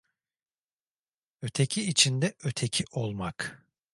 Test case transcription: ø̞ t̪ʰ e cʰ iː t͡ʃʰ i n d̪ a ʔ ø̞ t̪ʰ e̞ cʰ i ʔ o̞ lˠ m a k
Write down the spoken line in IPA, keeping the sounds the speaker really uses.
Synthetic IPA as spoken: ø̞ t̪ʰ e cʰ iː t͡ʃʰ i n d̪ ɛ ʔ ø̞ t̪ʰ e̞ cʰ i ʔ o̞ lˠ m a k